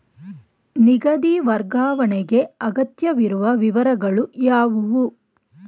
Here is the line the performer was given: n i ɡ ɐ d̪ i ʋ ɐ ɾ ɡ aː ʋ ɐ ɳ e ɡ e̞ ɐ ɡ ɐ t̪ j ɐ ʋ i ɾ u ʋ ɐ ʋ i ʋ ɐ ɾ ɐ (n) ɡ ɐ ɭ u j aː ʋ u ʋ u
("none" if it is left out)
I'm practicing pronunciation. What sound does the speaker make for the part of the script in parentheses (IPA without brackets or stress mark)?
none